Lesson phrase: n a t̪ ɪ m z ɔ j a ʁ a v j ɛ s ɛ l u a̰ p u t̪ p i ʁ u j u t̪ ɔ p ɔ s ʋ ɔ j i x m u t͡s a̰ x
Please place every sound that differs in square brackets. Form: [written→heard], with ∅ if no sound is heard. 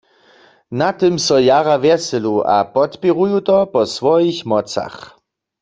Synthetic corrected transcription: n a t̪ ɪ m [z→s] ɔ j a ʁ a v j ɛ s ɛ l u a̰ p [u→ɔ] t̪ p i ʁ u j u t̪ ɔ p ɔ s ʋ ɔ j i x m [u→ɔ] t͡s a̰ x